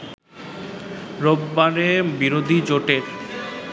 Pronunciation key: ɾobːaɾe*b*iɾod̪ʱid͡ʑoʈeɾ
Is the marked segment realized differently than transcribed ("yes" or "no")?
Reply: no